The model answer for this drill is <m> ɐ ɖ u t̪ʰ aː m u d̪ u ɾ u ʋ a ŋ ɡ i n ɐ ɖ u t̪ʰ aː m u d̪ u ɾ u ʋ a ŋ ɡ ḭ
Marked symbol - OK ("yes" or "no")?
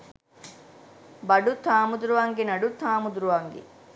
no